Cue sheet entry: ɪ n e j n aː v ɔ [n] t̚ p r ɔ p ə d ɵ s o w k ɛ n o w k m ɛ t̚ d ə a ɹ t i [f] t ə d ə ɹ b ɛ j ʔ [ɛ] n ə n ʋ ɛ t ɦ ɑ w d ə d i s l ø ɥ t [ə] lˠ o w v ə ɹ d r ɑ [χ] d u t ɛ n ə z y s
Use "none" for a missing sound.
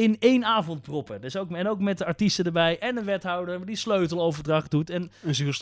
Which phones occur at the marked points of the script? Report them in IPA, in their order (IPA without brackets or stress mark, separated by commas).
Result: n, s, ɛ, ə, χ